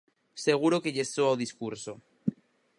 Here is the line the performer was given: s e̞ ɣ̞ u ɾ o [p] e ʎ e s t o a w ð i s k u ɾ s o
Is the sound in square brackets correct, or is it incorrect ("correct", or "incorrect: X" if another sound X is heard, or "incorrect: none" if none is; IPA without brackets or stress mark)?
incorrect: k